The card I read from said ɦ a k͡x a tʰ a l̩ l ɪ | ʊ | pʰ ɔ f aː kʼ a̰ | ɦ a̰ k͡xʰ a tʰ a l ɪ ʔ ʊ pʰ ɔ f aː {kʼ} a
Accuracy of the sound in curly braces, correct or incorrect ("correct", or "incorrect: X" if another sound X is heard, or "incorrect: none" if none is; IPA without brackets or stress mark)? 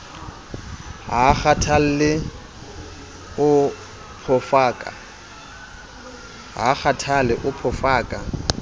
correct